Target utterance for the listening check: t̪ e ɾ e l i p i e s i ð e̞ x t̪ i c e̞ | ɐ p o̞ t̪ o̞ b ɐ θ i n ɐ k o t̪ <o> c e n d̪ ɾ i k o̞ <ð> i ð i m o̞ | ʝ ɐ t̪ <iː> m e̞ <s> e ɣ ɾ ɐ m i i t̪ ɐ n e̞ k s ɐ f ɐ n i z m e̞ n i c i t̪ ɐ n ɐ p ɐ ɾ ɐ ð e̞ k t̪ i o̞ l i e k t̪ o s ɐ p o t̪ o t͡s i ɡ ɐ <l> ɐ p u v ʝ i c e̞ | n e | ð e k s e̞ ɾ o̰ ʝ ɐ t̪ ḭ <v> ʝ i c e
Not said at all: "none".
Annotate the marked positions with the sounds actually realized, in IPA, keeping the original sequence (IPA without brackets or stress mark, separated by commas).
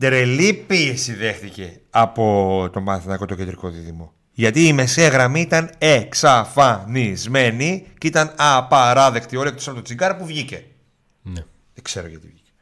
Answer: o, ð, iː, s, ɾ, v